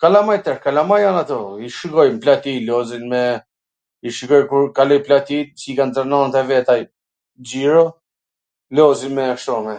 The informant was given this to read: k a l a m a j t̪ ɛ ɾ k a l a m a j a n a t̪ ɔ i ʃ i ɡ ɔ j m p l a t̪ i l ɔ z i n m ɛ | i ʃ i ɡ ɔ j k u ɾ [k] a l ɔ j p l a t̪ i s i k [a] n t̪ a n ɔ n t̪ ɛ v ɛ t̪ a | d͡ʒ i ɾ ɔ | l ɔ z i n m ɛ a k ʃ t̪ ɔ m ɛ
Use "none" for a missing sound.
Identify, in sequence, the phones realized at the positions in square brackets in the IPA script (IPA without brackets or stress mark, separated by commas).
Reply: k, a